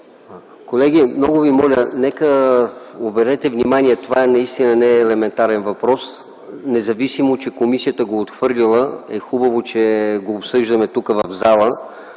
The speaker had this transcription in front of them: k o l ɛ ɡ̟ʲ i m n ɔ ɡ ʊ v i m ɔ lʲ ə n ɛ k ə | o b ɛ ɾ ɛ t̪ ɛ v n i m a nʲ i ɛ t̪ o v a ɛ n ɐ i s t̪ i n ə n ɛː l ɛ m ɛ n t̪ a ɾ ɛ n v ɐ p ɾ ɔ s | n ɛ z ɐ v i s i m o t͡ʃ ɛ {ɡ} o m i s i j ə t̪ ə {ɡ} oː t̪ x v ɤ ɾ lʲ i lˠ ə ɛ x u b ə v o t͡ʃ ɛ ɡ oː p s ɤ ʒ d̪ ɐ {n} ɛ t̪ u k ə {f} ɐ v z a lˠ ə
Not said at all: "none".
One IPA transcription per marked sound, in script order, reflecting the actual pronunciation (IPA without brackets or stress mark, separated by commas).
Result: k, ɡ, m, v